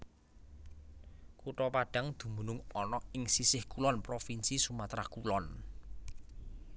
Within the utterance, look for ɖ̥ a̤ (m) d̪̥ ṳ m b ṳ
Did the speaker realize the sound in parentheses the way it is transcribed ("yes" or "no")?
no